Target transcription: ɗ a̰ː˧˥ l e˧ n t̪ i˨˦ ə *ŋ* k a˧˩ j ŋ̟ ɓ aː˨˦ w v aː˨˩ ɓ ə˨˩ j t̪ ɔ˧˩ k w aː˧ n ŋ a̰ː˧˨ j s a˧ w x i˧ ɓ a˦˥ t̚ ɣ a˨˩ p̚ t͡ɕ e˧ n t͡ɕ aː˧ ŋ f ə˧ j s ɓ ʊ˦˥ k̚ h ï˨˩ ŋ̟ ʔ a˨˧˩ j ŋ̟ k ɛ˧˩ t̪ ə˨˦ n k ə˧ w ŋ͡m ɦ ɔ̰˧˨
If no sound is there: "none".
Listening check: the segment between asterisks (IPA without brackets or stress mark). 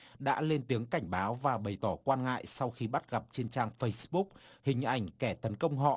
ŋ